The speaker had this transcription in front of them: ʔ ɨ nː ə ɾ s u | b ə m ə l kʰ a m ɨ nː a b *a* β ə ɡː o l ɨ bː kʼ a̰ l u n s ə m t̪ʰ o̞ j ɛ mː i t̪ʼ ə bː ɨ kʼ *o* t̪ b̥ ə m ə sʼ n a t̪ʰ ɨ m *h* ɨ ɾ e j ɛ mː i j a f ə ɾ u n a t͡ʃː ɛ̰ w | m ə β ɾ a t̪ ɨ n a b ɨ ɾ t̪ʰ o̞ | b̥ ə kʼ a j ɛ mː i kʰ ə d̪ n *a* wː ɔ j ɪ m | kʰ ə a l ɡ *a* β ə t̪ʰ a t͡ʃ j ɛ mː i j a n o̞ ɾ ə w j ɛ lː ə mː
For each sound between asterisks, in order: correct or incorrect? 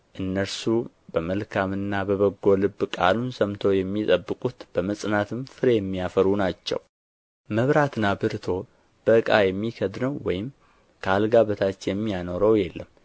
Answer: incorrect: ə, incorrect: u, incorrect: f, incorrect: ə, correct

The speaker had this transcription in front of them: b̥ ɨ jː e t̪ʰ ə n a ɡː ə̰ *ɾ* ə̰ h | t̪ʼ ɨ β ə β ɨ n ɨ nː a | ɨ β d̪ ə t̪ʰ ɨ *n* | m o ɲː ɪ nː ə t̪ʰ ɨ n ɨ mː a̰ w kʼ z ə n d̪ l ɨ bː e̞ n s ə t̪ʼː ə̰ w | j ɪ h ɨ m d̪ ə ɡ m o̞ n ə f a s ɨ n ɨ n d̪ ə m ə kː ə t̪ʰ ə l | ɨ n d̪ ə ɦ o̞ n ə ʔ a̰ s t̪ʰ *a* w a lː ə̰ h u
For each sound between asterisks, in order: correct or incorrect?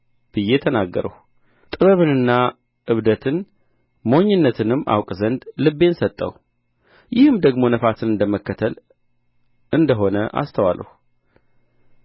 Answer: correct, correct, incorrect: ə

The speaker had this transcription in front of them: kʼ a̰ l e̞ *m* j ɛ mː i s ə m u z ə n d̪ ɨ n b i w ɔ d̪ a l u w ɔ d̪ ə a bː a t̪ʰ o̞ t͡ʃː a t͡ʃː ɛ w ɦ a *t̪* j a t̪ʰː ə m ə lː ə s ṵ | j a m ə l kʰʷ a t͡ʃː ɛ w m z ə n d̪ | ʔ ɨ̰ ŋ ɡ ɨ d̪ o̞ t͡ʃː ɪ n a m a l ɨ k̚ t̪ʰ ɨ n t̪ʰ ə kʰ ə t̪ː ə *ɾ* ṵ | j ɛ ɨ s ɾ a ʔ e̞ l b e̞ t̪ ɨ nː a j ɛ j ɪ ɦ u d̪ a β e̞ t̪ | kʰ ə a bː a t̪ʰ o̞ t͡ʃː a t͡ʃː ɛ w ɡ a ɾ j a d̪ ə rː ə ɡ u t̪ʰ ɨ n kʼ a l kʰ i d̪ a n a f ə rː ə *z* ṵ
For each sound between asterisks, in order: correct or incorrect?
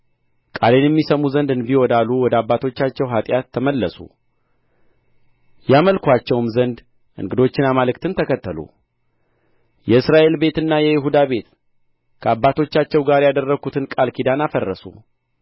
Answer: incorrect: n, incorrect: t̪ʼ, incorrect: l, incorrect: s

